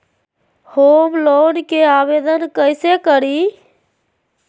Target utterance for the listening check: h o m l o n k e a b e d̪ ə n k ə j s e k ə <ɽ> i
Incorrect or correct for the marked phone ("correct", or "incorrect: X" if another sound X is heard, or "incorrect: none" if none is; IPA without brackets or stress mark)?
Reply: incorrect: ɾ